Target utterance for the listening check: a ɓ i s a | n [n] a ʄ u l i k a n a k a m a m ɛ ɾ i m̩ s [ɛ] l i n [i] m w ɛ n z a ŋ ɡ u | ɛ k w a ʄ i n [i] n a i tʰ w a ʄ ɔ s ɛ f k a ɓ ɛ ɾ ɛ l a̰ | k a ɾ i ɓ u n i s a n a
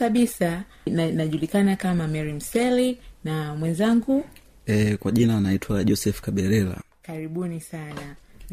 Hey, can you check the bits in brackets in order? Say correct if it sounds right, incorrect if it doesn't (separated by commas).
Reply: correct, correct, incorrect, incorrect